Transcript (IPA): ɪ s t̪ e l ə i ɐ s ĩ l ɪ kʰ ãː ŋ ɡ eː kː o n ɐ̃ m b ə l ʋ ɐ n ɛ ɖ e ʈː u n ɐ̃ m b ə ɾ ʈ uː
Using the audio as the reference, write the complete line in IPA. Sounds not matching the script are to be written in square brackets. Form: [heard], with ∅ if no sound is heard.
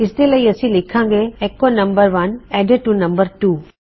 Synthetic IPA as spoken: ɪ s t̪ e l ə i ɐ s ĩ l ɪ kʰ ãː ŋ ɡ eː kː o n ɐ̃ m b ə [ɾ] ʋ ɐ n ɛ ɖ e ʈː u n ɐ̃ m b ə ɾ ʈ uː

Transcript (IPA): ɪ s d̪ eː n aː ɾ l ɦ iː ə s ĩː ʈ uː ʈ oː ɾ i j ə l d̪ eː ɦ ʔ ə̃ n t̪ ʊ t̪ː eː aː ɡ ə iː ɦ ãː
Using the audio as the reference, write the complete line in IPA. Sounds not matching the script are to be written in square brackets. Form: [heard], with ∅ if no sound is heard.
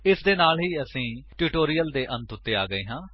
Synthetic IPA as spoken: ɪ s d̪ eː n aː [∅] l ɦ iː ə s ĩː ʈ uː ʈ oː ɾ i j ə l d̪ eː [∅] ʔ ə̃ n t̪ ʊ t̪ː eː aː ɡ ə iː ɦ ãː

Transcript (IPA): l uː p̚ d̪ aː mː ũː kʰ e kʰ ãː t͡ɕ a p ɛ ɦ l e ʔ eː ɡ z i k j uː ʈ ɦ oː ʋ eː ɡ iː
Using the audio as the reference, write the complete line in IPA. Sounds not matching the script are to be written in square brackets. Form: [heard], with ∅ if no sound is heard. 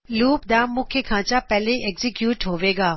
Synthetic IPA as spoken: l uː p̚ d̪ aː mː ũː kʰ e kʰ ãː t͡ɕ a p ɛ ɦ l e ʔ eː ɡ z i k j uː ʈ ɦ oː ʋ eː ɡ [aː]

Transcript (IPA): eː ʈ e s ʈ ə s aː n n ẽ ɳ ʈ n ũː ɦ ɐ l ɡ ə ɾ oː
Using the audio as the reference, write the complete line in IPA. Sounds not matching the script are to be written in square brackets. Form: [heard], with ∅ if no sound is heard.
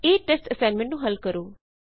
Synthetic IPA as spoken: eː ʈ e s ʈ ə s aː n [m] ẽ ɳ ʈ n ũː ɦ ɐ l [k] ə ɾ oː

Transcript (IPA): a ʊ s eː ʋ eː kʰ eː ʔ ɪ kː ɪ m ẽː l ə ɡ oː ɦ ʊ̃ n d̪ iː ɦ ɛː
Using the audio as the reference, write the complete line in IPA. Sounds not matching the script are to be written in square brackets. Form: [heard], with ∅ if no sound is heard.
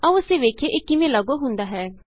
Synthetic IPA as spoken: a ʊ s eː ʋ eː kʰ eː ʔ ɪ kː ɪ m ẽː l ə ɡ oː ɦ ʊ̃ n d̪ [aː] ɦ ɛː

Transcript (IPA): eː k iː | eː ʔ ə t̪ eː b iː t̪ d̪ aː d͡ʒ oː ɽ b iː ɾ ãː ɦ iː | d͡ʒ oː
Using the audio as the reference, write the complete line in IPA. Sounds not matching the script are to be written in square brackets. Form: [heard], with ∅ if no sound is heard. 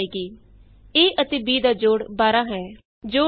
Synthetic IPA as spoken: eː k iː | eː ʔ ə t̪ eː b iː [∅] d̪ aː d͡ʒ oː ɽ b [aː] ɾ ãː ɦ [ɛː] | d͡ʒ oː

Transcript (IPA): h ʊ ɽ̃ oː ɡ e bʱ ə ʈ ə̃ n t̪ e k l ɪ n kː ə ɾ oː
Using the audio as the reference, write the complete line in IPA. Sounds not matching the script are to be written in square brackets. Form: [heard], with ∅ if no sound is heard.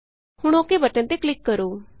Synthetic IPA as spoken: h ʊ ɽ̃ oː [k] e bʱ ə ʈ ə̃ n t̪ e k l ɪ [∅] kː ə ɾ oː

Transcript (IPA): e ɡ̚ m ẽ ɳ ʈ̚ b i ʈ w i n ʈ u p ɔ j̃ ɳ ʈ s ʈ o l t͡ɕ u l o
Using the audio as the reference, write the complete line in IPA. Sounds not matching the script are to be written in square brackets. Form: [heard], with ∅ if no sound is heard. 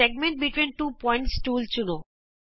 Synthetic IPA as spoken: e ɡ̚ m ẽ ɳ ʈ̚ b i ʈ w i n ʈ u p ɔ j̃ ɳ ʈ s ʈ [u] l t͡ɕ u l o

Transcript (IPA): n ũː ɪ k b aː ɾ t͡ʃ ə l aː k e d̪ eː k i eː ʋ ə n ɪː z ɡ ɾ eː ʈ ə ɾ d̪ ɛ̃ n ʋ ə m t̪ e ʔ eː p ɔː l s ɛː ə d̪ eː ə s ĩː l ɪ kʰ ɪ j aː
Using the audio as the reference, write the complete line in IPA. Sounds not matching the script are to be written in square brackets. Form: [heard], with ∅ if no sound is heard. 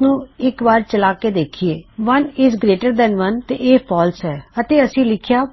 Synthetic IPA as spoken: n ũː ɪ k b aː ɾ t͡ʃ ə l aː k e d̪ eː [kʰ] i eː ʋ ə n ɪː z ɡ ɾ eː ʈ ə ɾ d̪ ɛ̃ n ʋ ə [n] t̪ e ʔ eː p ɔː l s ɛː ə [t̪] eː ə s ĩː l ɪ kʰ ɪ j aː

